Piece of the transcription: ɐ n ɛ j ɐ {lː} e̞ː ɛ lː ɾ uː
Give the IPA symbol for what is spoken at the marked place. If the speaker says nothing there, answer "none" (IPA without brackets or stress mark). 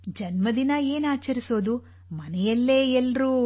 lː